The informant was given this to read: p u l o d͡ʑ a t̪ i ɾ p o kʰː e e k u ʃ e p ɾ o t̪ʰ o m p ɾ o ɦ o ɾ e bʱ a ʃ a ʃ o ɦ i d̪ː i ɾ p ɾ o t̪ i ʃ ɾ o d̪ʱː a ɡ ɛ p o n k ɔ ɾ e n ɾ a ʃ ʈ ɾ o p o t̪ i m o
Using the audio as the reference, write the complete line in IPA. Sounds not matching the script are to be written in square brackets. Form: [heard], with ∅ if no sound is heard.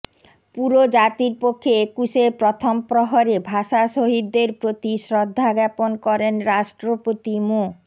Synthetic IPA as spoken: p u [ɾ] o d͡ʑ a t̪ i ɾ p o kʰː e e k u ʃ e p ɾ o t̪ʰ o m p ɾ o ɦ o ɾ e bʱ a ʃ a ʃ o ɦ i d̪ː [e] ɾ p ɾ o t̪ i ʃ ɾ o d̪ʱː a ɡ ɛ p o n k ɔ ɾ e n ɾ a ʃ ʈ ɾ o p o t̪ i m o